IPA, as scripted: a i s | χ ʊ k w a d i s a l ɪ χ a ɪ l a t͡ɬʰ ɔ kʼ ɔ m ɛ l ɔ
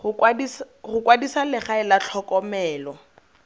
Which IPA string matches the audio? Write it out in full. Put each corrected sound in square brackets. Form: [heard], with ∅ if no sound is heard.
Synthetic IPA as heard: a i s | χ ʊ k w a d i s a l ɪ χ a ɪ l a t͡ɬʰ ɔ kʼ ɔ m [ɛː] l ɔ